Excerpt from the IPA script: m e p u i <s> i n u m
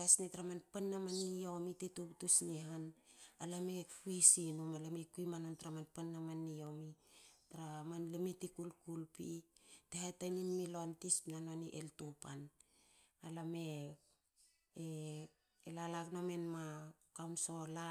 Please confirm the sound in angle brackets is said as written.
yes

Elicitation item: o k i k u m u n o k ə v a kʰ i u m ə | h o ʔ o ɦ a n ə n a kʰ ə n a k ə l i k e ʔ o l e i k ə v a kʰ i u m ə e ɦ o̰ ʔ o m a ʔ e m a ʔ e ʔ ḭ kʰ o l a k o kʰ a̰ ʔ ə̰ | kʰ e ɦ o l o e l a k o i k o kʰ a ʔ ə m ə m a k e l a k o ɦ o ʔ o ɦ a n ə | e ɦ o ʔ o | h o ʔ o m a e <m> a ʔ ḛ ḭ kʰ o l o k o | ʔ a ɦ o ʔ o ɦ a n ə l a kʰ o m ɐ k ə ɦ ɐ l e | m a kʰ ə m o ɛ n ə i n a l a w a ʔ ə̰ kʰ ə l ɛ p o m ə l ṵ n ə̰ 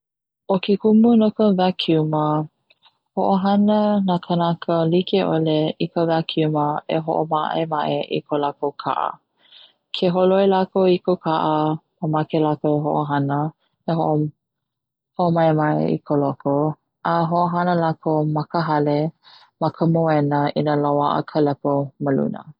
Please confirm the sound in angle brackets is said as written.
yes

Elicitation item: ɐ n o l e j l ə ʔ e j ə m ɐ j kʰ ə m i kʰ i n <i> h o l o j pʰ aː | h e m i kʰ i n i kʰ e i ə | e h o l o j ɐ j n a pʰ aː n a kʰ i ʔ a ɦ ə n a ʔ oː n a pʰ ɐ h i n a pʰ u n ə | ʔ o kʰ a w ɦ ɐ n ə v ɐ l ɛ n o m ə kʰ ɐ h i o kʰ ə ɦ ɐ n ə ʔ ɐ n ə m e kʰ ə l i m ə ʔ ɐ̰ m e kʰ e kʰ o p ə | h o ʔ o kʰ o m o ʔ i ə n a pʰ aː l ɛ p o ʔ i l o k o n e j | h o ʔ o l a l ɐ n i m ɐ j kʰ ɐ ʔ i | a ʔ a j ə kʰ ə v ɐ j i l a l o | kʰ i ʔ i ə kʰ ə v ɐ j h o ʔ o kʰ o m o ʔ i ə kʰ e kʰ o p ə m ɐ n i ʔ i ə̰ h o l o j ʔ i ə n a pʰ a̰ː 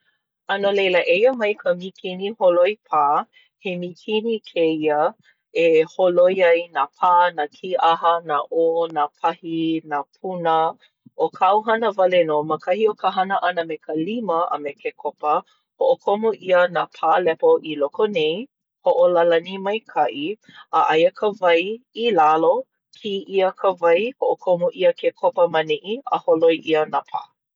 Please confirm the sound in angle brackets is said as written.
yes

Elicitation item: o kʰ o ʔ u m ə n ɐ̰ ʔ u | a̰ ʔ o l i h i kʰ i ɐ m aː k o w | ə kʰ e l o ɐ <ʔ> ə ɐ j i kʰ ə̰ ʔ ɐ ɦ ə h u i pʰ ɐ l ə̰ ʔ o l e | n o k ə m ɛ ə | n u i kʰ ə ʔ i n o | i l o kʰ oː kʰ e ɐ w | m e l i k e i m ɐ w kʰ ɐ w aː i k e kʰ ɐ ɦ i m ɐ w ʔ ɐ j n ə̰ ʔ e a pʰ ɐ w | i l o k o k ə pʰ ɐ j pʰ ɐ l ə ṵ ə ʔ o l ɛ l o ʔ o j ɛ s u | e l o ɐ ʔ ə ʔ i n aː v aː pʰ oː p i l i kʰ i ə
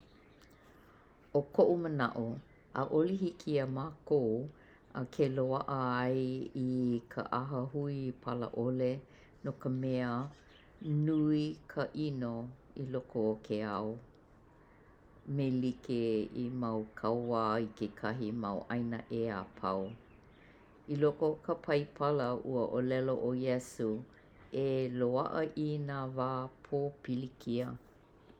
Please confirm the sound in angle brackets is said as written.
yes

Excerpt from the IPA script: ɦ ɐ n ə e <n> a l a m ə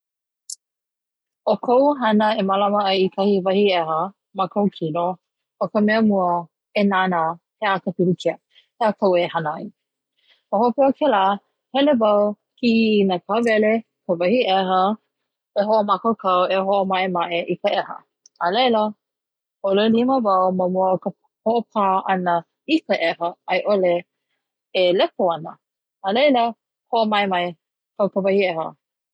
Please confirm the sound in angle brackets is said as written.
no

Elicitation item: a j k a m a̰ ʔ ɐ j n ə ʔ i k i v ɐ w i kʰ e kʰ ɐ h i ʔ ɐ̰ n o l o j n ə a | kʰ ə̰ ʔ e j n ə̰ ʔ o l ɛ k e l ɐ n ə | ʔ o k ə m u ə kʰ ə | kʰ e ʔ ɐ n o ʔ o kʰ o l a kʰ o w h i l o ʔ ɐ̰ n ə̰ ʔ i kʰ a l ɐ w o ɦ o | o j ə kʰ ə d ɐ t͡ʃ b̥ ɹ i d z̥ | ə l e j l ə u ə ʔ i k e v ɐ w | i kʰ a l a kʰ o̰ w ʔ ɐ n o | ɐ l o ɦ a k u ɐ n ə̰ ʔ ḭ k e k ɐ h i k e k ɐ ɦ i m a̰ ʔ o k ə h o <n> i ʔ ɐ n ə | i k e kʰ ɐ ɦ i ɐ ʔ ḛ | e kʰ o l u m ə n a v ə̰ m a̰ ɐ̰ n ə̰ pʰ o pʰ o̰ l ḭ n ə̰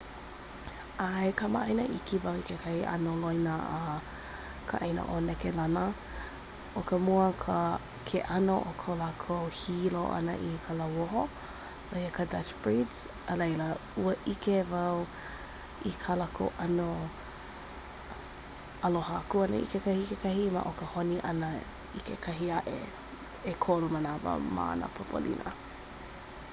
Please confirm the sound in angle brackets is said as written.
yes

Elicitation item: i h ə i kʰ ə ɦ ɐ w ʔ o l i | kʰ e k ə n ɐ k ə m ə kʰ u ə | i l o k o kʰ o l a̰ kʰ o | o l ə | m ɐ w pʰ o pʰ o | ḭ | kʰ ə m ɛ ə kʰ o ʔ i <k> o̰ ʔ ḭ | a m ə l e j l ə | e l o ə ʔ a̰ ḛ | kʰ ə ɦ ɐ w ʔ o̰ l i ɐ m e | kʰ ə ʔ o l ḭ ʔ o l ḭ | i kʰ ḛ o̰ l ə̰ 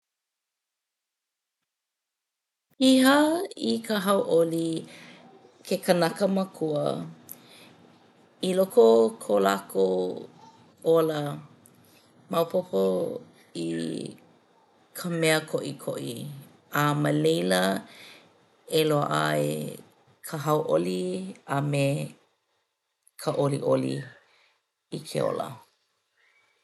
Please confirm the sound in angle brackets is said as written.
no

